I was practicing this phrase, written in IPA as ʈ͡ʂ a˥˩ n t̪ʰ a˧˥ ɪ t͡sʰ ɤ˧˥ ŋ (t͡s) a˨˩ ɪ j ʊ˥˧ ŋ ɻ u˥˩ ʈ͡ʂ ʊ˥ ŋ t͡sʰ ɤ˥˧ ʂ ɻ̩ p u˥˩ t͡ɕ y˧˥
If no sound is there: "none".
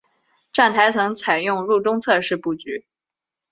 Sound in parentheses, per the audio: t͡sʰ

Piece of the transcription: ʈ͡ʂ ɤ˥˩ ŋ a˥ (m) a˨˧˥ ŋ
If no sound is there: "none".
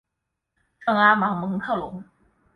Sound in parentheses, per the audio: m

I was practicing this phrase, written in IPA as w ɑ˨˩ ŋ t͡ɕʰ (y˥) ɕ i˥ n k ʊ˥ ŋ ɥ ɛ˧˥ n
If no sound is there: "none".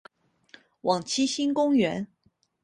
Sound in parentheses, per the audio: i˥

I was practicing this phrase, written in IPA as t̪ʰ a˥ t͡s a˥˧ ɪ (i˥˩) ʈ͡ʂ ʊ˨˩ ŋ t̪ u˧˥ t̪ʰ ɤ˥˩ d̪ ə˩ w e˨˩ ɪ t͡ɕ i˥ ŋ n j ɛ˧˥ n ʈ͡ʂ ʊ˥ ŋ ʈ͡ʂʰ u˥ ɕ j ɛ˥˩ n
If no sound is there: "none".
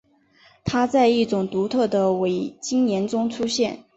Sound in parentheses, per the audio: i˥˩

